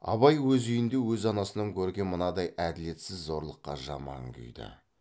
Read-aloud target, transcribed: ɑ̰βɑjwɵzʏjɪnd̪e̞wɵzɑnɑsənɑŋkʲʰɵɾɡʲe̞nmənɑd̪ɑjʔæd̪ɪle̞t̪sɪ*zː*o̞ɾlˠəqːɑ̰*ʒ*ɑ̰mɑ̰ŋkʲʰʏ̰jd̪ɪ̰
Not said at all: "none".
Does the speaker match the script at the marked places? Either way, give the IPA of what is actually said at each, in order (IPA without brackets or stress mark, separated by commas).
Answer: zː, ʒ